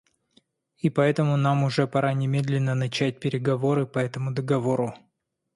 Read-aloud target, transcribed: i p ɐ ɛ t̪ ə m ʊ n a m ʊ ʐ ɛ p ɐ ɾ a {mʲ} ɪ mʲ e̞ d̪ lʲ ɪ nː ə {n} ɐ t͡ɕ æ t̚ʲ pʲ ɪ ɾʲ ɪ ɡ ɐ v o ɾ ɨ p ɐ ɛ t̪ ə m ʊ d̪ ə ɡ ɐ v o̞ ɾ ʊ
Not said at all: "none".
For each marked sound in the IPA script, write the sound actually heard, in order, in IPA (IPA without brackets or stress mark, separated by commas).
nʲ, n